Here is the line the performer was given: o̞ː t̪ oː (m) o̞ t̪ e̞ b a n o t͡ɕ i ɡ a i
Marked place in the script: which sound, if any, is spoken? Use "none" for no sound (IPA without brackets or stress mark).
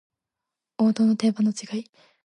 n